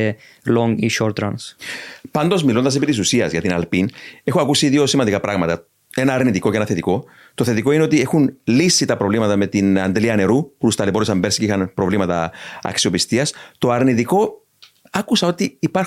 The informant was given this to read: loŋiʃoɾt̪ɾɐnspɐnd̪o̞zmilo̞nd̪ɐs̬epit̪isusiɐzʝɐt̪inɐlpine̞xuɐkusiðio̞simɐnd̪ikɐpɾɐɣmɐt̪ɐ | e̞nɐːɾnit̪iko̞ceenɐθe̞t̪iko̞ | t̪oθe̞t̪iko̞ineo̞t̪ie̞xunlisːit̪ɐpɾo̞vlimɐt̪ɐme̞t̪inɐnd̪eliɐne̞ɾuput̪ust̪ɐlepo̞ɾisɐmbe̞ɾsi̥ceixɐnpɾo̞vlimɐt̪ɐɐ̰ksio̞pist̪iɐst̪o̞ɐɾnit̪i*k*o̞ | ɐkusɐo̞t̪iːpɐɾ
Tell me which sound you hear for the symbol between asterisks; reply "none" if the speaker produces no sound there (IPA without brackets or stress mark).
k